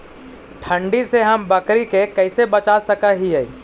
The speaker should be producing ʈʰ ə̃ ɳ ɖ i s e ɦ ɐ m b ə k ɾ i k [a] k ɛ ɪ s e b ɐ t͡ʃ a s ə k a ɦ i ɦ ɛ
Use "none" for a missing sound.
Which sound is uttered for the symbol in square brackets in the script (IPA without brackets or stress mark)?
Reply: e